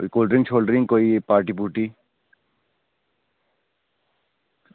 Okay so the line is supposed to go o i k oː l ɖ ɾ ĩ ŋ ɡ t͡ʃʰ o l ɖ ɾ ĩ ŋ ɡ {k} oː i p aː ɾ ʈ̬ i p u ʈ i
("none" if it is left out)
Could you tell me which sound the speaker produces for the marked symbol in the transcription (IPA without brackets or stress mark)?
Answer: k